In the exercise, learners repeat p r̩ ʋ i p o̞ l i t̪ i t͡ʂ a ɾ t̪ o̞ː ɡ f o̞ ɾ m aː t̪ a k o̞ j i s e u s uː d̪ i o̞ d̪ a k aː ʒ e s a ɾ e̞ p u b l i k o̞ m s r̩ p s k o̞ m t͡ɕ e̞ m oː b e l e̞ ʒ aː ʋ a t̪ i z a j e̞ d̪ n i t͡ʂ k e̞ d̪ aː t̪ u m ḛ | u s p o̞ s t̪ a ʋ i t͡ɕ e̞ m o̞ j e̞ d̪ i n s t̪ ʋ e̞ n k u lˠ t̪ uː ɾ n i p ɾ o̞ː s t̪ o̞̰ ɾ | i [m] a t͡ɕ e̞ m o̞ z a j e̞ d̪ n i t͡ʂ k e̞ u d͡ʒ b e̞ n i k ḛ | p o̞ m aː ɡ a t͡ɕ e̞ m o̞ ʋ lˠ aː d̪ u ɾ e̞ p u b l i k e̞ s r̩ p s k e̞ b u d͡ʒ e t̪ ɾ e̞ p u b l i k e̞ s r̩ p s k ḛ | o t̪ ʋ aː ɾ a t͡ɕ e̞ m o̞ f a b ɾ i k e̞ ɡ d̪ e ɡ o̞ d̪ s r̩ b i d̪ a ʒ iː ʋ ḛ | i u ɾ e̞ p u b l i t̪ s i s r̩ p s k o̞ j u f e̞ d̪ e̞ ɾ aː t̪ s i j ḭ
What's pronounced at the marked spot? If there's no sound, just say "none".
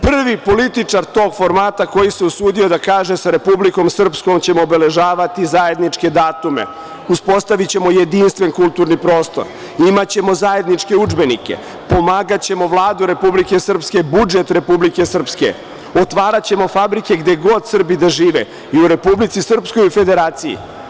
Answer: m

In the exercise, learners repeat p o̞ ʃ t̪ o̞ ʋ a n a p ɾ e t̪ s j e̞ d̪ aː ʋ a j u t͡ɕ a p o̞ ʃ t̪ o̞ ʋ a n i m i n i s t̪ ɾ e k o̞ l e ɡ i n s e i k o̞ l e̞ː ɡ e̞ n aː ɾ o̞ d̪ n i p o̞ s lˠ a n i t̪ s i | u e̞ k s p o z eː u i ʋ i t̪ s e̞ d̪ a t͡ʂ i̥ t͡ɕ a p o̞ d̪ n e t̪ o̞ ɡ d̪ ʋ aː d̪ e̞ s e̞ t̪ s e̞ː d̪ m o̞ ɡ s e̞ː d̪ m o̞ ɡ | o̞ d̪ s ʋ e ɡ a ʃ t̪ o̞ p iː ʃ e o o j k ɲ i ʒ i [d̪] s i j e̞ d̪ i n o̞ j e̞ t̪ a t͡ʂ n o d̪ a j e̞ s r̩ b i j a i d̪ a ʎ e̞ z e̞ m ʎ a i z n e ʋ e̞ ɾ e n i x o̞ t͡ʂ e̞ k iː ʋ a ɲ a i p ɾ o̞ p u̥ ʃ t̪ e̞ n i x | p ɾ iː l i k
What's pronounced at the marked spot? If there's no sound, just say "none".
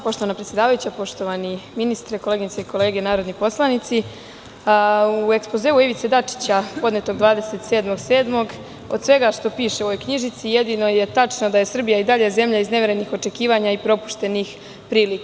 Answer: t̪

